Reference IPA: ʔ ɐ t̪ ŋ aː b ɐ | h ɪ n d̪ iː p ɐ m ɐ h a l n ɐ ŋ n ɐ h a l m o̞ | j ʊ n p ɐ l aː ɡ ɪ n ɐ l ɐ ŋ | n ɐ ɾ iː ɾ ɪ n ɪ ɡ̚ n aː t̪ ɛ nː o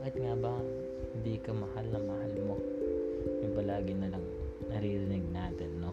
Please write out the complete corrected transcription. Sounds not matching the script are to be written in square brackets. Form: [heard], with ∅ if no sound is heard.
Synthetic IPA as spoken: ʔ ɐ t̪ ŋ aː b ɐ | h ɪ n d̪ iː [k] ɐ m ɐ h a l n ɐ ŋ [m] ɐ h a l m o̞ | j ʊ [ŋ] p ɐ l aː ɡ ɪ n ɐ l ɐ ŋ | n ɐ ɾ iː ɾ ɪ n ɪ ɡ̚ n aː t̪ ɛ nː o